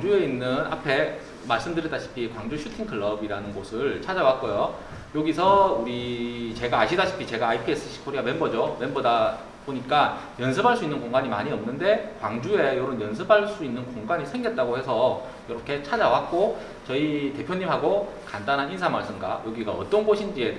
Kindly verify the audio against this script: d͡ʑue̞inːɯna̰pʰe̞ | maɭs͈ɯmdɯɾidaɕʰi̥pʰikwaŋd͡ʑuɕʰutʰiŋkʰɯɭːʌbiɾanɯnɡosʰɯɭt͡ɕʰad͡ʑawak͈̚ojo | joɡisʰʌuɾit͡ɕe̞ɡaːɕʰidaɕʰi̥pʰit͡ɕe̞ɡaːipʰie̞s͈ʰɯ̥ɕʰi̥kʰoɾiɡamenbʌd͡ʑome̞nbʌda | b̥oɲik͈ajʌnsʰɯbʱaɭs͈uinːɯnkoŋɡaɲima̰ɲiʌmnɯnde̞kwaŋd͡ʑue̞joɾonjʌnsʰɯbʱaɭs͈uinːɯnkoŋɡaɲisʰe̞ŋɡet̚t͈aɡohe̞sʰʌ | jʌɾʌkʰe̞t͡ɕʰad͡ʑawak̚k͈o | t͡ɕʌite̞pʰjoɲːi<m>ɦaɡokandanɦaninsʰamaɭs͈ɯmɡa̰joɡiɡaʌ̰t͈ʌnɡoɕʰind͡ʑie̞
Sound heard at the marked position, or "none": m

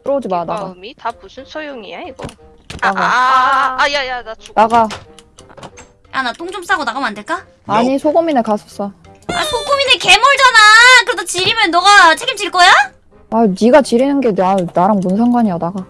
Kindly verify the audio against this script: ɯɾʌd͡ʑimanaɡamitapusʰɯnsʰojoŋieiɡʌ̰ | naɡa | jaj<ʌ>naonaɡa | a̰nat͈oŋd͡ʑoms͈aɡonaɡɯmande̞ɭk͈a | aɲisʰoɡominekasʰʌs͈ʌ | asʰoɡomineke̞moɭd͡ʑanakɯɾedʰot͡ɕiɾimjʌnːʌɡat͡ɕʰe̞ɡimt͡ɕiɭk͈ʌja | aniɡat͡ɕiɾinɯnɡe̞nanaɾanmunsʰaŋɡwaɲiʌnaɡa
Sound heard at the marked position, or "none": a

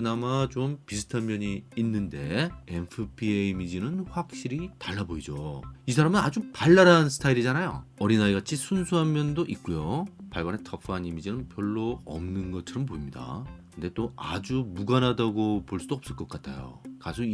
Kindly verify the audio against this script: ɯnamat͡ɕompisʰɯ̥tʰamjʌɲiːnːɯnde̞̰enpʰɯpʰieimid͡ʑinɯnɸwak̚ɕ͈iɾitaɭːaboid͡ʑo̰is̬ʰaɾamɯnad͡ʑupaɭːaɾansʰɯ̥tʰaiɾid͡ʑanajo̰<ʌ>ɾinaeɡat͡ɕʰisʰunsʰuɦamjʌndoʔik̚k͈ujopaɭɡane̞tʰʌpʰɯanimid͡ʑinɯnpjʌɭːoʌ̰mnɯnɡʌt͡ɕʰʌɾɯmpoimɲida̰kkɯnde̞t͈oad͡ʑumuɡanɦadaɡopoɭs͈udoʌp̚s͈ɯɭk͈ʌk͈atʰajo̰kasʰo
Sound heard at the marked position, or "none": ʌ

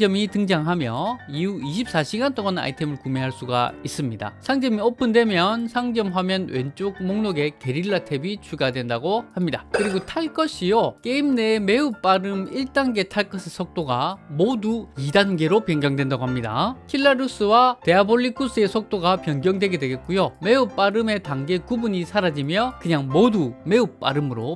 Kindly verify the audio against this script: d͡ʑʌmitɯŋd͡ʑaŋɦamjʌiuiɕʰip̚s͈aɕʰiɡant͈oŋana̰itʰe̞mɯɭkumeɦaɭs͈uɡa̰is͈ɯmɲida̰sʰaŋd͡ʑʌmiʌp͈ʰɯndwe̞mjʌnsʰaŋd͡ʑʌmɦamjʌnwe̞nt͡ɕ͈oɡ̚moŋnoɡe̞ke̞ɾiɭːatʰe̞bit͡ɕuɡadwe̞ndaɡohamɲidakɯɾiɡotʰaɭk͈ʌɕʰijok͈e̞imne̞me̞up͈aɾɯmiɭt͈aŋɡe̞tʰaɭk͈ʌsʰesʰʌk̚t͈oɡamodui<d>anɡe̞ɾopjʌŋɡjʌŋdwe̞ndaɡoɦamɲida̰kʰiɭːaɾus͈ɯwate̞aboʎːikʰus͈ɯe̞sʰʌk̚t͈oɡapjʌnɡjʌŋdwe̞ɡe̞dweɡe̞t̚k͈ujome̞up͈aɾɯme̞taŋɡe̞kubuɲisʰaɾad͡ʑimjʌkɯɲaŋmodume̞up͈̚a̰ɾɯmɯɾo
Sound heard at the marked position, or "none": d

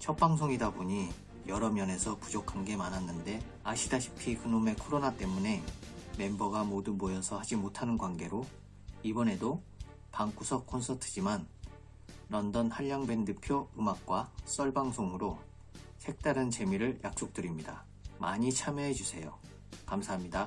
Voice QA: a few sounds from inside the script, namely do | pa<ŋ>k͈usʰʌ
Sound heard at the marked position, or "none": ŋ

